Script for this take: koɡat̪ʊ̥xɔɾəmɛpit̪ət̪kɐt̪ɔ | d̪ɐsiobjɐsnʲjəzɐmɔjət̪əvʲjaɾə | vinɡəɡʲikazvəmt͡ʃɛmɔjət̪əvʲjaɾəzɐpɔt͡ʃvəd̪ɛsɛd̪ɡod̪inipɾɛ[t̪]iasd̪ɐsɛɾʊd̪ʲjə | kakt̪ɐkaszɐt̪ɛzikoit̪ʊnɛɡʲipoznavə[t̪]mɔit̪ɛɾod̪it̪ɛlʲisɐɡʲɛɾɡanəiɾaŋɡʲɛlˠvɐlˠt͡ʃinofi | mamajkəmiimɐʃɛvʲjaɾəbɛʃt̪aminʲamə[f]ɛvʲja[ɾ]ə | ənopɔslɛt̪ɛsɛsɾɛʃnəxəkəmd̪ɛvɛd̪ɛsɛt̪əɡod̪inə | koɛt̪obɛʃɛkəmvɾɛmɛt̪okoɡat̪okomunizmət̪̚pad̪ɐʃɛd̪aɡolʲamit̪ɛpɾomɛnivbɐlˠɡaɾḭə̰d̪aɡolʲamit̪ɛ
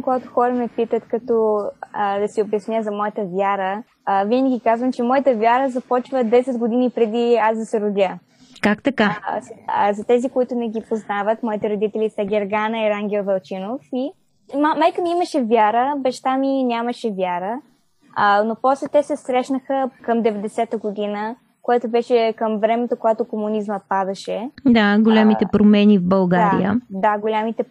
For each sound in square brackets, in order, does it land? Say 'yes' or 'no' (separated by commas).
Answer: no, yes, no, yes